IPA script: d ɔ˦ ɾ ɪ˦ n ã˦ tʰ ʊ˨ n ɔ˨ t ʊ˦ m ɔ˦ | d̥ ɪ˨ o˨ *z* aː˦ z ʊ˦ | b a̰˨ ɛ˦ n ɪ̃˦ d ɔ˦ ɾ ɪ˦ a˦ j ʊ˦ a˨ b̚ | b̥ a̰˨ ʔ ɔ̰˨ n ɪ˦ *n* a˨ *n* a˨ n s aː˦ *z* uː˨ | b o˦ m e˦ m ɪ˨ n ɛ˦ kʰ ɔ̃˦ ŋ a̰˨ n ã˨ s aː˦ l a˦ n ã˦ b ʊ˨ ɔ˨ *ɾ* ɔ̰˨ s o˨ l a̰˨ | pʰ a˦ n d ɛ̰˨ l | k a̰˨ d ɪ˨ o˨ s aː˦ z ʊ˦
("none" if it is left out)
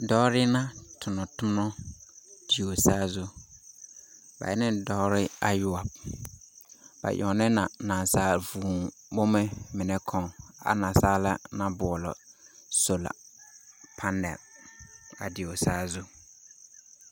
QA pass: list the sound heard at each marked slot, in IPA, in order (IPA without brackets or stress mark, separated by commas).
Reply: s, n, n, v, l